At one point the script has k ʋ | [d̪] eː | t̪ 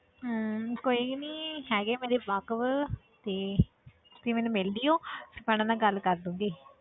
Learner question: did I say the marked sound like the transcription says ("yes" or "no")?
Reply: no